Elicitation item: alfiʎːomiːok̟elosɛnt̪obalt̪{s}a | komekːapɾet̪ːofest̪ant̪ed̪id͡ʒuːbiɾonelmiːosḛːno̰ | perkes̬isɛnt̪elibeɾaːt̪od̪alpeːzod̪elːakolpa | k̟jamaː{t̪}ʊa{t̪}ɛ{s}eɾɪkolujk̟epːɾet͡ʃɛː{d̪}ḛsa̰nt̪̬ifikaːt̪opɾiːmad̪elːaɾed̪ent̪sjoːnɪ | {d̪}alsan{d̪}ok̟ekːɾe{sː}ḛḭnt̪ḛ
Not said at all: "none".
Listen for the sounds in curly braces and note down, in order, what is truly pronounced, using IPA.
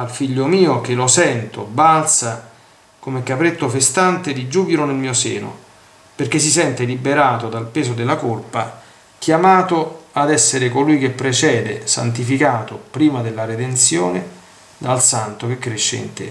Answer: s, t̪, d̪, sː, d̪, d̪, t̪, ʃː

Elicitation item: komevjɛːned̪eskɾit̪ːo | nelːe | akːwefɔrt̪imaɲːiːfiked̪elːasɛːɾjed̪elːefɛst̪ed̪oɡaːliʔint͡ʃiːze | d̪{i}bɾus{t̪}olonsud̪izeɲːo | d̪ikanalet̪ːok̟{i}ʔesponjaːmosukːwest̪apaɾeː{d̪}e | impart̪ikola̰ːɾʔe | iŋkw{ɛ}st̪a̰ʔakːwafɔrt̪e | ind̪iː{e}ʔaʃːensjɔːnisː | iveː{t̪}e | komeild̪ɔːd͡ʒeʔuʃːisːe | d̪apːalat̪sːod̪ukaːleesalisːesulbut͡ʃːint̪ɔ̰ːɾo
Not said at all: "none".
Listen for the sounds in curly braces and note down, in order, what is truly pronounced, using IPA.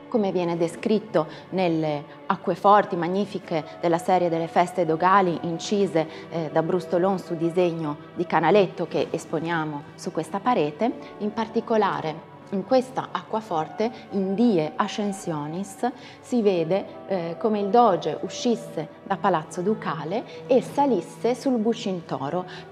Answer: a, t̪, e, t̪, e, e, d̪

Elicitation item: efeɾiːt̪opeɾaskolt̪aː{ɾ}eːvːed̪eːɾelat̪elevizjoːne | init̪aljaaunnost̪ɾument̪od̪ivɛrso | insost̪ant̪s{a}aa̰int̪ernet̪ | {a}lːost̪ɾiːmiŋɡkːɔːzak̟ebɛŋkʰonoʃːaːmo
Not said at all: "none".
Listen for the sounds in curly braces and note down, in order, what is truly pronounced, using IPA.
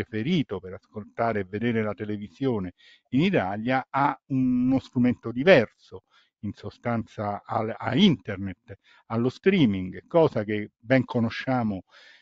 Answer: ɾ, a, a

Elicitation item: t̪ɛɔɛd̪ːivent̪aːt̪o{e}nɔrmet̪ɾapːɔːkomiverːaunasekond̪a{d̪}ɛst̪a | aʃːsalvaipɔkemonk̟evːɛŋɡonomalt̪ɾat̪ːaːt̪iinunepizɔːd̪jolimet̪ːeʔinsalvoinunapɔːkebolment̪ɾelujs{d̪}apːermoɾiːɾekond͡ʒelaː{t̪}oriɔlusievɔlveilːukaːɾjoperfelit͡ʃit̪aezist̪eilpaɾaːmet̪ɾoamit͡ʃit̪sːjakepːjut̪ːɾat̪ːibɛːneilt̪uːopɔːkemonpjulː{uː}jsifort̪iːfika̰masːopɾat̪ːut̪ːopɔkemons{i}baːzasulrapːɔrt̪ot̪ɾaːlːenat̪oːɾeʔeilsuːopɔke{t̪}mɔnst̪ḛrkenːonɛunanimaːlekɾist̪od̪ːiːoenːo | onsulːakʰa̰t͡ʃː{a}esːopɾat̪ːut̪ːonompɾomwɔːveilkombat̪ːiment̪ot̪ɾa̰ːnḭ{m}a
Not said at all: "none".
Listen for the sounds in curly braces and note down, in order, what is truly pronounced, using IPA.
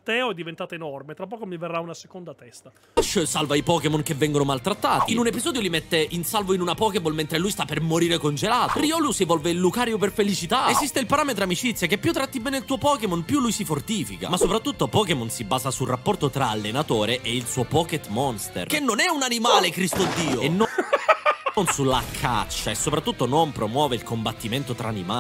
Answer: e, t̪, t̪, t̪, u, i, t̪, a, m

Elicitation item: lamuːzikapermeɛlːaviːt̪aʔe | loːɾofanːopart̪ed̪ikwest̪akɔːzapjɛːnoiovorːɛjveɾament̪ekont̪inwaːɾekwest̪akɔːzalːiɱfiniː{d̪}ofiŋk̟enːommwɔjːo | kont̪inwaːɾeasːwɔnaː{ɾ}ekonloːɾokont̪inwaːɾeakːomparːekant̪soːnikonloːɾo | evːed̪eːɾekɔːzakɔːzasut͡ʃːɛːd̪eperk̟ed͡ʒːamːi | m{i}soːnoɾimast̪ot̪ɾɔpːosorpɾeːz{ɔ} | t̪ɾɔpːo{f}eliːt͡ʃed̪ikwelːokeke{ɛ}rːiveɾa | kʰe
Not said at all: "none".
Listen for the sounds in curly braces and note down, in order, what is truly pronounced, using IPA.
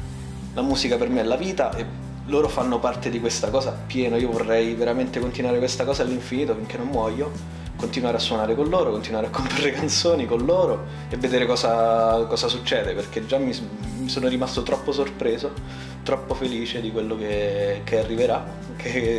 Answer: t̪, ɾ, i, o, f, a

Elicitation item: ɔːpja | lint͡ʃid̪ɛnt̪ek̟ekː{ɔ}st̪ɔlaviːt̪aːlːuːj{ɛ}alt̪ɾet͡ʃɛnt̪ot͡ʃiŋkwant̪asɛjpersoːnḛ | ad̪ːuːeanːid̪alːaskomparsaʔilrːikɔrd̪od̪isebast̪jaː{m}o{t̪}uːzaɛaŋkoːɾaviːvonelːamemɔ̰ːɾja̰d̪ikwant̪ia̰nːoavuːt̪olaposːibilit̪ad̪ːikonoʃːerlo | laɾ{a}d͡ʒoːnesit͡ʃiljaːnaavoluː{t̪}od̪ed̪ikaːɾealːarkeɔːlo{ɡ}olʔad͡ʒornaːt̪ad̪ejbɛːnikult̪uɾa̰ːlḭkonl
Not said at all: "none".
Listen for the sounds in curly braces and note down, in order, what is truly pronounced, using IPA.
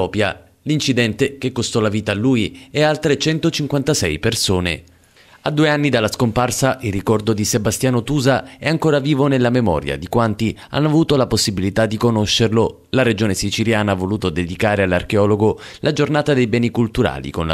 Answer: o, ɛ, n, t̪, e, t̪, ɡ

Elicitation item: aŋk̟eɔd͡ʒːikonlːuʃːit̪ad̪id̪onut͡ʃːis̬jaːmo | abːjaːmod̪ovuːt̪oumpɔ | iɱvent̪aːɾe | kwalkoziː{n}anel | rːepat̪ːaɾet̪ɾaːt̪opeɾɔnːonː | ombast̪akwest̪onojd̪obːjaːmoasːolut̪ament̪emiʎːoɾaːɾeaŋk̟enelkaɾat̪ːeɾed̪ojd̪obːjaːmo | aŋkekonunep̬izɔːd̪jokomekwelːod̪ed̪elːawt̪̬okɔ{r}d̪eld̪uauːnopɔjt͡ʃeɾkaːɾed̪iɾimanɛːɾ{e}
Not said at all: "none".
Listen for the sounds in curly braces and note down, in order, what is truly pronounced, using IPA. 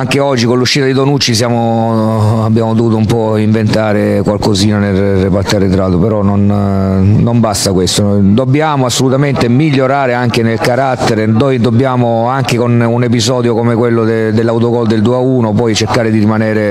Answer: n, l, e

